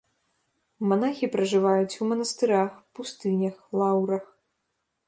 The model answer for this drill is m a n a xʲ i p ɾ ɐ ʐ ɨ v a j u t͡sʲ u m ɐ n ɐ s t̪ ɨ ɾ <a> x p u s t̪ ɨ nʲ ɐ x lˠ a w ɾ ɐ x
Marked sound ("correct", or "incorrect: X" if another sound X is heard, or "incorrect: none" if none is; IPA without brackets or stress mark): correct